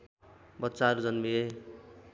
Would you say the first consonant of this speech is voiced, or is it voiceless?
voiced